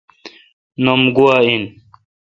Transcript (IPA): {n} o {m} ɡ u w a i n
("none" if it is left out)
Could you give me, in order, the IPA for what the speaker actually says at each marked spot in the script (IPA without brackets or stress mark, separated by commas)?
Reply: n, m